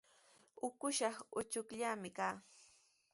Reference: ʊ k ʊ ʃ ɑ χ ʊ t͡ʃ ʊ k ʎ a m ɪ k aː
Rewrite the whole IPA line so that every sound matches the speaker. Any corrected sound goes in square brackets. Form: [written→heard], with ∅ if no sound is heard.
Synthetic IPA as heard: ʊ k ʊ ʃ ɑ χ ʊ t͡ʃ ʊ k ʎ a m ɪ k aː